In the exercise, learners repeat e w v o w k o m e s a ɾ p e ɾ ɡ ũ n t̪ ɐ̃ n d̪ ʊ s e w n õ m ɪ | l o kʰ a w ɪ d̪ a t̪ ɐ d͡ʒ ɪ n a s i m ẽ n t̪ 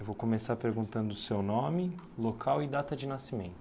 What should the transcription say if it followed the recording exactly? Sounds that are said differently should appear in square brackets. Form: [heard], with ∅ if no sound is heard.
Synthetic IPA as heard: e w v o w k o m e s a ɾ p e ɾ ɡ ũ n t̪ ɐ̃ n d̪ ʊ s e w n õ m ɪ | l o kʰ a w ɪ d̪ a t̪ ɐ d͡ʒ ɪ n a s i m ẽ n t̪